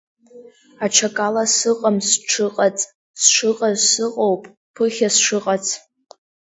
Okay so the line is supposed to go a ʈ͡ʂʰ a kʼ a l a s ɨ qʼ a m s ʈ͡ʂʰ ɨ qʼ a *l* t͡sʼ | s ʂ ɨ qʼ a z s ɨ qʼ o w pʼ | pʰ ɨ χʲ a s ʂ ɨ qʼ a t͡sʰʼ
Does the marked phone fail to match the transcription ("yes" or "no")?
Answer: yes